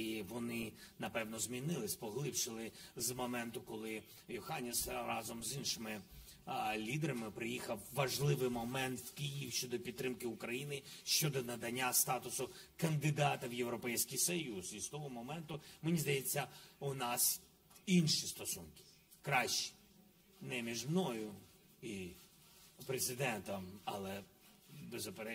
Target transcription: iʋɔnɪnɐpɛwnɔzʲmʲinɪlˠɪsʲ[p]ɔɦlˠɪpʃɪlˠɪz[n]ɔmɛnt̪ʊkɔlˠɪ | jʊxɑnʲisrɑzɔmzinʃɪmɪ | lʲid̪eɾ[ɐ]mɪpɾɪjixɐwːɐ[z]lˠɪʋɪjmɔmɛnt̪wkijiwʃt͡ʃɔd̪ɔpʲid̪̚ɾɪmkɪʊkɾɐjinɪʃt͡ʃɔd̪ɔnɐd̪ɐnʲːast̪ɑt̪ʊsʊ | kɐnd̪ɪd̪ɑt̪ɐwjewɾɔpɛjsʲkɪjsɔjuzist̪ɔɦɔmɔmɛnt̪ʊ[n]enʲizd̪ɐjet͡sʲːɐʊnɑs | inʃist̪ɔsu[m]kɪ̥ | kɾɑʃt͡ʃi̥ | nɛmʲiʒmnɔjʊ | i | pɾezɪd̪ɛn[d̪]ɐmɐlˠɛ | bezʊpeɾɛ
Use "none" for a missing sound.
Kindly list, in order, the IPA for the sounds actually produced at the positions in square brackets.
p, m, ɐ, ʒ, m, n, t̪

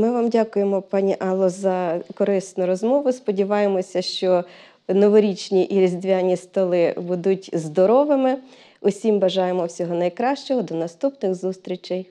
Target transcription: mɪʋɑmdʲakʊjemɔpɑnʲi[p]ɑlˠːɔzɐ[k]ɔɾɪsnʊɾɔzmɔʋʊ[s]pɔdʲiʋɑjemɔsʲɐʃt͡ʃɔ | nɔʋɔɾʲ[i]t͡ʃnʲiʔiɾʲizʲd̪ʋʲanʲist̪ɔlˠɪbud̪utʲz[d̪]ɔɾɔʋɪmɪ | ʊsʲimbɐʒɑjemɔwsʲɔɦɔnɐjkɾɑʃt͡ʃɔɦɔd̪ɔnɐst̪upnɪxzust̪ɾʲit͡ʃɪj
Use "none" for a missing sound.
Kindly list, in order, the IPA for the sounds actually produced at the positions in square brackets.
ʔ, k, s, i, d̪

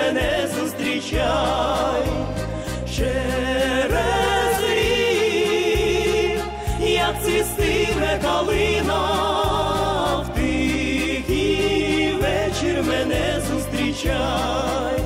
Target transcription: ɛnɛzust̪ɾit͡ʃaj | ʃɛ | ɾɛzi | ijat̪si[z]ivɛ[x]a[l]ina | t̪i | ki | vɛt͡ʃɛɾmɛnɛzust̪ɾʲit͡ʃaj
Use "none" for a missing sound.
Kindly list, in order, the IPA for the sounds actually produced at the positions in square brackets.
s, k, l

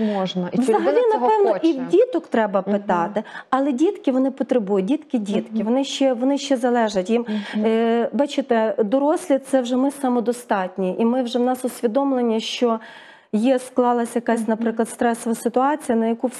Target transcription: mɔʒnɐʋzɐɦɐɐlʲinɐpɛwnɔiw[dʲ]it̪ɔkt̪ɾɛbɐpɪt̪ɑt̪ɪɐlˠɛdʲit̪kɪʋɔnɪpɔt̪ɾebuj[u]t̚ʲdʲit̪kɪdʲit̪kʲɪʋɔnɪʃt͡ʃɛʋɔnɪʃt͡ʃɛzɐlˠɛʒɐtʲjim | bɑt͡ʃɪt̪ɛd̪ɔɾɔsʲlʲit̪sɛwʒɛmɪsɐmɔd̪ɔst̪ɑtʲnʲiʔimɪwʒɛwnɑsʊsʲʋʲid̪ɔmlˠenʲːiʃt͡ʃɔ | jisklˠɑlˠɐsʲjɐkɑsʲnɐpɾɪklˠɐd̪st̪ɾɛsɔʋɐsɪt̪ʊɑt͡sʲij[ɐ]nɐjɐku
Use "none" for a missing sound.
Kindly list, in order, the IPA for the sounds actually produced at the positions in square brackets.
dʲ, ʊ, ɐ

